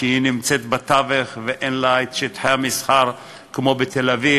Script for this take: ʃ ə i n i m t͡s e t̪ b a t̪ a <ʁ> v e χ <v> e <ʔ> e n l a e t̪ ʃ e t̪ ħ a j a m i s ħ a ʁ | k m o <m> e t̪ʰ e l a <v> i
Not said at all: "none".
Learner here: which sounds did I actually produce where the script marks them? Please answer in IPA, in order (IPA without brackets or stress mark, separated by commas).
none, v, ʔ, b, v